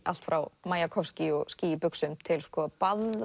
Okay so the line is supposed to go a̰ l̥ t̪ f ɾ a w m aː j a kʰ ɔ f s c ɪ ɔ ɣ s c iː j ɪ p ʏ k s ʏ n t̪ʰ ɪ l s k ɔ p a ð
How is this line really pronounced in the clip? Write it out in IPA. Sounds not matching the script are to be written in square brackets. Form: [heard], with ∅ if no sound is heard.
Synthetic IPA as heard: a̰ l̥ t̪ f ɾ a w m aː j a kʰ ɔ f s c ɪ ɔ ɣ s c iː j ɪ p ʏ k s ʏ [m] t̪ʰ ɪ l s k ɔ p a ð